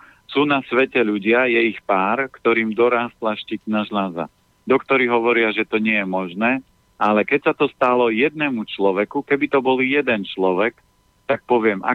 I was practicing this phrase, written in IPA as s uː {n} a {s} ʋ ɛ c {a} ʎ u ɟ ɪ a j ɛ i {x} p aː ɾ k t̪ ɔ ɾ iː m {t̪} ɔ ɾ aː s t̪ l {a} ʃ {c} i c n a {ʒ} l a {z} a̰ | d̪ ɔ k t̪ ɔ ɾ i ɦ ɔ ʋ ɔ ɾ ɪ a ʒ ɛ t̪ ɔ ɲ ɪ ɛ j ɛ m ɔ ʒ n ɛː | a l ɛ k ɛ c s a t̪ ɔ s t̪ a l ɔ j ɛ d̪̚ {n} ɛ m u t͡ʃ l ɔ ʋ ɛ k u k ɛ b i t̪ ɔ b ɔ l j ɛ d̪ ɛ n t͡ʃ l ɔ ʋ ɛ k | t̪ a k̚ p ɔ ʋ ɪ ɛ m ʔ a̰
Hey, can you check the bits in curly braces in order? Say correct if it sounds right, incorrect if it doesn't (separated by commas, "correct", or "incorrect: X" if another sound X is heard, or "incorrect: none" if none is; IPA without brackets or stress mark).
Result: correct, correct, incorrect: ɛ, correct, incorrect: d̪, correct, correct, correct, correct, correct